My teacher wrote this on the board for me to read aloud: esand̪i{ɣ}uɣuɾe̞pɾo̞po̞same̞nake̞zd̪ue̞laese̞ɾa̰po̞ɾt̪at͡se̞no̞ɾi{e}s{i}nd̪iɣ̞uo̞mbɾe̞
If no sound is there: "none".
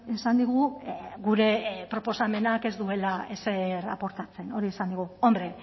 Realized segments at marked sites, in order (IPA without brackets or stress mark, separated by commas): ɣ, e, a